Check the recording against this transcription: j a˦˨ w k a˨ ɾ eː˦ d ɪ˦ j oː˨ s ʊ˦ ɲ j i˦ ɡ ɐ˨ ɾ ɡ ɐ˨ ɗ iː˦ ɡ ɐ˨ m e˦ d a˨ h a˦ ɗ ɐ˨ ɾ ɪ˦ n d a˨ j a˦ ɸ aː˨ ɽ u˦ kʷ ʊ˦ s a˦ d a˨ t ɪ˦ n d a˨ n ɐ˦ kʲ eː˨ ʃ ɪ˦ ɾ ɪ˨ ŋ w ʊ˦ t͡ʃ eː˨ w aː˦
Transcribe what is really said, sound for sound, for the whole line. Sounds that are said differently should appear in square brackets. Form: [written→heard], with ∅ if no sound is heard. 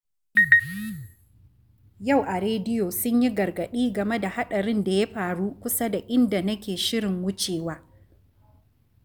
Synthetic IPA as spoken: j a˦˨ w [k→ʔ] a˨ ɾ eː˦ d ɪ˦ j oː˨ s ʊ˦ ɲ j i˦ ɡ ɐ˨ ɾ ɡ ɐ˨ ɗ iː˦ ɡ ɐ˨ m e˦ d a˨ h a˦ ɗ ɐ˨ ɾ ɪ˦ n d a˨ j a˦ ɸ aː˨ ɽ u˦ kʷ ʊ˦ s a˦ d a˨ [t→ʔ] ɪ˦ n d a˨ n ɐ˦ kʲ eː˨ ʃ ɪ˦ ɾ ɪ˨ ŋ w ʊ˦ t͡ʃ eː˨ w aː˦